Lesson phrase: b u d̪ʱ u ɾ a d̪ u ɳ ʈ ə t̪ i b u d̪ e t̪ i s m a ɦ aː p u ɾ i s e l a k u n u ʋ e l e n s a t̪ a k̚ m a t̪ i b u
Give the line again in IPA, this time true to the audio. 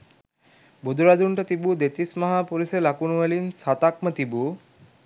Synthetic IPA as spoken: b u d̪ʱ u ɾ a d̪ u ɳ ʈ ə t̪ i b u d̪ e t̪ i s m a ɦ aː p u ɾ i s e l a k u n u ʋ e l i n s a t̪ a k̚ m ə t̪ i b u